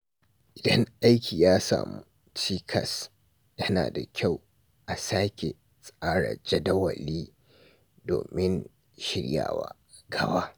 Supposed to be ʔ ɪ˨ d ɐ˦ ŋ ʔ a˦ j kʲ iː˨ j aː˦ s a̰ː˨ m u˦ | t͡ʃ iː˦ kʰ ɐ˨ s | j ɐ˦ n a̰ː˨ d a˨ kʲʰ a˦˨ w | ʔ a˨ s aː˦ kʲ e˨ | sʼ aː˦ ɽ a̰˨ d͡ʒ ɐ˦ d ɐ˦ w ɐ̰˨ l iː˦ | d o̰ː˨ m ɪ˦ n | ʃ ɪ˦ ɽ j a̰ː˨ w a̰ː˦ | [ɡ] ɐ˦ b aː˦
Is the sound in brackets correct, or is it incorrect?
correct